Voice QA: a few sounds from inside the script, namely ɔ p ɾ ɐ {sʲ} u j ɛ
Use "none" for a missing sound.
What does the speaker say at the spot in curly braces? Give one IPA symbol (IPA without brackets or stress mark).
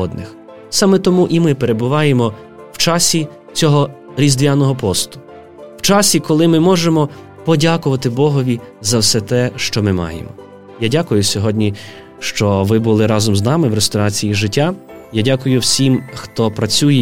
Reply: t͡sʲ